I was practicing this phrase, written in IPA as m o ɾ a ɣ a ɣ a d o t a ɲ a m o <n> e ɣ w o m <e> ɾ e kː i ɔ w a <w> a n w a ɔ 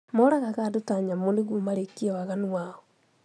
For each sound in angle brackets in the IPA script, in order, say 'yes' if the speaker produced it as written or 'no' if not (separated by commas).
yes, no, no